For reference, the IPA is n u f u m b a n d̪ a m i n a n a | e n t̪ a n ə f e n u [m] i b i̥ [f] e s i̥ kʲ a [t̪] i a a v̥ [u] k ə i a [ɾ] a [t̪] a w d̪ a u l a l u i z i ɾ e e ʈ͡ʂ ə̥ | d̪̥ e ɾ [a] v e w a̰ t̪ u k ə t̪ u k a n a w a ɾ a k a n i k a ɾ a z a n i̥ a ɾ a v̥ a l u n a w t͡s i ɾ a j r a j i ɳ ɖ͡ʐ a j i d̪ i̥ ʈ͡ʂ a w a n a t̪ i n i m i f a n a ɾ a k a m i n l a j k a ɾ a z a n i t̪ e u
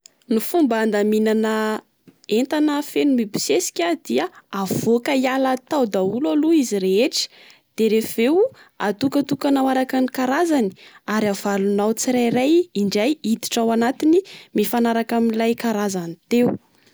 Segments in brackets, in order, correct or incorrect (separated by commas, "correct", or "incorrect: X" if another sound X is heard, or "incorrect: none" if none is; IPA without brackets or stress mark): correct, incorrect: s, incorrect: d̪, incorrect: o, incorrect: l, correct, incorrect: e